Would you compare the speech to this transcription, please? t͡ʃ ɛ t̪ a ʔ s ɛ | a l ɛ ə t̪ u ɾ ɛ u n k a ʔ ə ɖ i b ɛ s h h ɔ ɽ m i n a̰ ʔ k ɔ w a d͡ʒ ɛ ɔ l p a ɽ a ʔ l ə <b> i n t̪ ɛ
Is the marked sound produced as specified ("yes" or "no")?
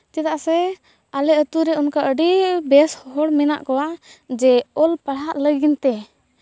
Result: no